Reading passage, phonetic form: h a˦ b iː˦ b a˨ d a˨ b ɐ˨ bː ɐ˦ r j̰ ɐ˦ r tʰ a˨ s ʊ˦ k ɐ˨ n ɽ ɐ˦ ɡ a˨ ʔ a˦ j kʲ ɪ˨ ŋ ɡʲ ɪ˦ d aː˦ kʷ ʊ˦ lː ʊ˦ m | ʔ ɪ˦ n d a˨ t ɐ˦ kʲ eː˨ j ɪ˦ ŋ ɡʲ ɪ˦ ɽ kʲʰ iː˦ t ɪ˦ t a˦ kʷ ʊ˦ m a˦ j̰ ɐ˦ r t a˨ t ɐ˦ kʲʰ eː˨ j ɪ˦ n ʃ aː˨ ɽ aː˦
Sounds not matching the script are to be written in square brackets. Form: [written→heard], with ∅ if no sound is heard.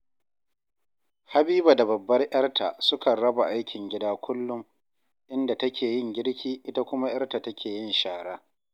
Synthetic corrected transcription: h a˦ b iː˦ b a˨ d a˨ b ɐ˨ bː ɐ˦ r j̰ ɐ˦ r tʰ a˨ s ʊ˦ k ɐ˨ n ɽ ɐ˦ [ɡ→b] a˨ ʔ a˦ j kʲ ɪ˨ ŋ ɡʲ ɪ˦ d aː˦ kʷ ʊ˦ lː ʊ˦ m | ʔ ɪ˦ n d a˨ t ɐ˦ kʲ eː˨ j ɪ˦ ŋ ɡʲ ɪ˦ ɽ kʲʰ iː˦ [t→ʔ] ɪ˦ t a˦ kʷ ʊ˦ m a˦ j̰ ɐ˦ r t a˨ t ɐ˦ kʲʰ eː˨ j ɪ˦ n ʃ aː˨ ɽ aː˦